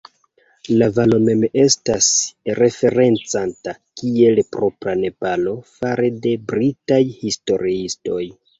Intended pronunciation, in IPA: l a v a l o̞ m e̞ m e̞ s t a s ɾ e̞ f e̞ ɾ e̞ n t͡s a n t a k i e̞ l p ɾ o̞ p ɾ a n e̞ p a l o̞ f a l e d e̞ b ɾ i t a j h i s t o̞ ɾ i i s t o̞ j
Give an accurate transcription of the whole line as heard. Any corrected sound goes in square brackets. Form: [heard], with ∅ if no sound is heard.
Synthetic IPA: l a v a l o̞ m e̞ m e̞ s t a s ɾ e̞ f e̞ ɾ e̞ n t͡s a n t a k i e̞ l p ɾ o̞ p ɾ a n e̞ p a l o̞ f a [ɾ] e d e̞ b ɾ i t a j h i s t o̞ ɾ i i s t o̞ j

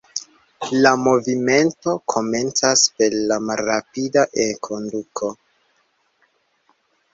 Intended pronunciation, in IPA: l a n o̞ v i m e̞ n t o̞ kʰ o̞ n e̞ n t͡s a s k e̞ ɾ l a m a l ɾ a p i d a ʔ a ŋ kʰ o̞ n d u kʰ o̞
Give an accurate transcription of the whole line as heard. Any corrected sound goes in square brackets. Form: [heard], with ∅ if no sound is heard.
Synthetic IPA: l a [m] o̞ v i m e̞ n t o̞ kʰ o̞ [m] e̞ n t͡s a s [p] e̞ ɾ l a m a l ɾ a p i d a ʔ [e] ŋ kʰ o̞ n d u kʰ o̞

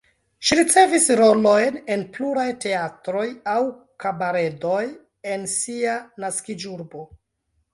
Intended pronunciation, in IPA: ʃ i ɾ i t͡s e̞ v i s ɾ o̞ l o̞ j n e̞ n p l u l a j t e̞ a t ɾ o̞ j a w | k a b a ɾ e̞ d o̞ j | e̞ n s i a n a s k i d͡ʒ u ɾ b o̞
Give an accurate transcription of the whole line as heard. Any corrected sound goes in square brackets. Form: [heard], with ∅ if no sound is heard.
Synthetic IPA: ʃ i ɾ i t͡s e̞ v i s ɾ o̞ l o̞ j n e̞ n p l u [ɾ] a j t e̞ a t ɾ o̞ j a w | k a b a ɾ e̞ d o̞ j | e̞ n s i a n a s k i d͡ʒ u ɾ b o̞

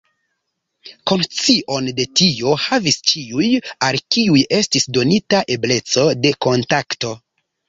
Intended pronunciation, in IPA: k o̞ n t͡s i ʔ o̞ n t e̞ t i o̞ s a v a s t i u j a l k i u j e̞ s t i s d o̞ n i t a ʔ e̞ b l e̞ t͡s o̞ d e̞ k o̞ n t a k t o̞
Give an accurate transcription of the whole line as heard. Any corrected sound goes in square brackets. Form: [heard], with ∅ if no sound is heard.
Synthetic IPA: k o̞ n t͡s i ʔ o̞ n [d] e̞ t i o̞ [h] a v [i] s [t͡ʃ] i u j a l k i u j e̞ s t i s d o̞ n i t a ʔ e̞ b l e̞ t͡s o̞ d e̞ k o̞ n t a k t o̞

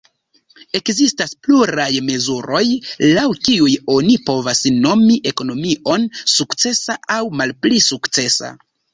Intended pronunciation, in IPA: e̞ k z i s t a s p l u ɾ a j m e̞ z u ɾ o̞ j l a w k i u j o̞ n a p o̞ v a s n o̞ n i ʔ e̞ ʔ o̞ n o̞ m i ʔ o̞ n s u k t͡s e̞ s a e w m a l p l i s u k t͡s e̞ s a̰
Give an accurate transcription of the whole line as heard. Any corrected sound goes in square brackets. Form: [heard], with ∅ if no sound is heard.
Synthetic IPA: e̞ k z i s t a s p l u ɾ a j m e̞ z u ɾ o̞ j l a w k i u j o̞ n [i] p o̞ v a s n o̞ [m] i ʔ e̞ [k] o̞ n o̞ m i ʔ o̞ n s u k t͡s e̞ s a [a] w m a l p l i s u k t͡s e̞ s a̰

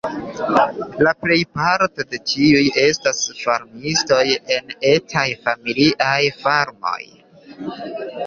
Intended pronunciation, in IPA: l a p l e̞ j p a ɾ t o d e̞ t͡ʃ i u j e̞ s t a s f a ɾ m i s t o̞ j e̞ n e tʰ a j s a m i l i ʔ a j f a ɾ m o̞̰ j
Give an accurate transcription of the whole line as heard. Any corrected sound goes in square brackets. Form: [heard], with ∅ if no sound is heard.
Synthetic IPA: l a p l e̞ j p a ɾ t o d e̞ t͡ʃ i u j e̞ s t a s f a ɾ m i s t o̞ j e̞ n e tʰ a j [f] a m i l i ʔ a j f a ɾ m o̞̰ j

